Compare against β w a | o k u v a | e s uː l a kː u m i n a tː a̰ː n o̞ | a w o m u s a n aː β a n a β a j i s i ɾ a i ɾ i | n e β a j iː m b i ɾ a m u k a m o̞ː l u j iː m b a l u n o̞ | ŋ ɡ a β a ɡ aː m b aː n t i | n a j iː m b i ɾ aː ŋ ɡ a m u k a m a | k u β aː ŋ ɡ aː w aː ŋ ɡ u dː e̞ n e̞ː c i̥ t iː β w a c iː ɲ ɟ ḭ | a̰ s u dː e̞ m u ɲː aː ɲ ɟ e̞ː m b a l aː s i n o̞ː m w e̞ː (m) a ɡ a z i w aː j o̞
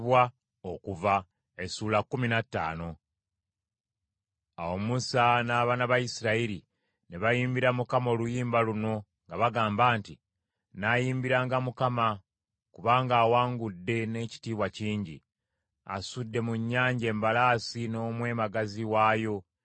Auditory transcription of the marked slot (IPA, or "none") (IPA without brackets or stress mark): m